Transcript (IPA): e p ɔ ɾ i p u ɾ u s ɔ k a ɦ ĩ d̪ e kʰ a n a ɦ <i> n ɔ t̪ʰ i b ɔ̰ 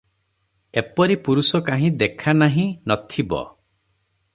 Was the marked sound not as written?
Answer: yes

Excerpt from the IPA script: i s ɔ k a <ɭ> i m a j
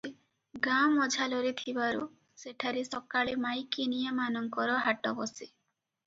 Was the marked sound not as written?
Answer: no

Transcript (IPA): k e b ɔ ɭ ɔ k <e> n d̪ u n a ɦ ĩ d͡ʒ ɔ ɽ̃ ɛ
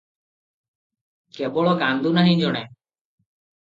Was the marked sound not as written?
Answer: yes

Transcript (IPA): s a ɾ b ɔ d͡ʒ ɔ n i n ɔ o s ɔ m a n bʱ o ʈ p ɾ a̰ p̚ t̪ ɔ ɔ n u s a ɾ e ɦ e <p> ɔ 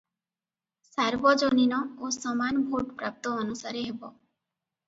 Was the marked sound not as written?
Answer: yes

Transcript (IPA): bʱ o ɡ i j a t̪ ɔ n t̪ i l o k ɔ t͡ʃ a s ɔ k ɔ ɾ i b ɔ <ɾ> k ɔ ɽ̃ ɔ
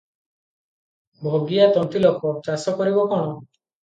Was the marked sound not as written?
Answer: yes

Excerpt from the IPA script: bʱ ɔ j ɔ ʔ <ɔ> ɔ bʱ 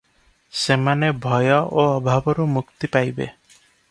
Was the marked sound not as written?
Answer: yes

